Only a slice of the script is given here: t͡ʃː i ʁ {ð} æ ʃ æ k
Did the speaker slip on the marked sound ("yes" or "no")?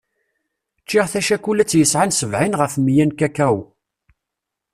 yes